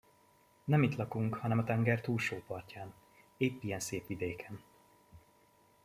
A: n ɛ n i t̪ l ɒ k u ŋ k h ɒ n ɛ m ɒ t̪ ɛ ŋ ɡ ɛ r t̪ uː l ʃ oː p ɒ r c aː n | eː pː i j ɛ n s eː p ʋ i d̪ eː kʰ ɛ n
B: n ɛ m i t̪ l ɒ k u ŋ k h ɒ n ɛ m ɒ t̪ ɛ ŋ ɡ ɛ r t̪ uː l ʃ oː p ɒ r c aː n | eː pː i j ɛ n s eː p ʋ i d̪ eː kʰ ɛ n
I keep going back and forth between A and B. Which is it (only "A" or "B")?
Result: B